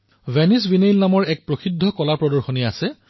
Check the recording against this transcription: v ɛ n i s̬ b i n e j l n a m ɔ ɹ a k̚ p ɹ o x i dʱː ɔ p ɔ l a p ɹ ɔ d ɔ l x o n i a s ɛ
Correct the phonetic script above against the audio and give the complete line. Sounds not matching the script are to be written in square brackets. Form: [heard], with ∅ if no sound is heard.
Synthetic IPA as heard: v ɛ n i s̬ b i n e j l n a m ɔ ɹ [ɛ] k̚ p ɹ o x i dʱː ɔ [k] ɔ l a p ɹ ɔ d ɔ [ɹ] x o n i a s ɛ